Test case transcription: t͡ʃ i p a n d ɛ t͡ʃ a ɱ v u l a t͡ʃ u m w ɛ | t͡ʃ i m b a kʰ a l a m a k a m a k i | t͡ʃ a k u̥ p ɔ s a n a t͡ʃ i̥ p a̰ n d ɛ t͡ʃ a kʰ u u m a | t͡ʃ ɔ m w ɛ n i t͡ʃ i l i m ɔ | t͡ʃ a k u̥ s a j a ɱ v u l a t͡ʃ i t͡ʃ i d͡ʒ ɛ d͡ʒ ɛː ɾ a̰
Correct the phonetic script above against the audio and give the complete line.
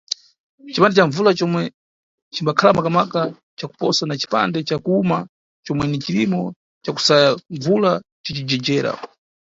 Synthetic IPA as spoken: t͡ʃ i p a n d ɛ t͡ʃ a ɱ v u l a t͡ʃ ɔ m w ɛ | t͡ʃ i m b a kʰ a l a m a k a m a k a | t͡ʃ a k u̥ p ɔ s a n a t͡ʃ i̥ p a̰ n d ɛ t͡ʃ a k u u m a | t͡ʃ ɔ m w ɛ n i t͡ʃ i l i m ɔ | t͡ʃ a k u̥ s a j a ɱ v u l a t͡ʃ i t͡ʃ i d͡ʒ ɛ d͡ʒ ɛː ɾ a̰